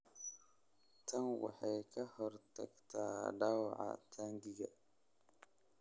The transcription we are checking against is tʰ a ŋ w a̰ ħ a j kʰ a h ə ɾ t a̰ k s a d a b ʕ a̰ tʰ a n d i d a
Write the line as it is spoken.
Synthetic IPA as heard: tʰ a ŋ w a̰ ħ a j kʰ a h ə ɾ t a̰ k t a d a w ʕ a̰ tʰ a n d i ɡ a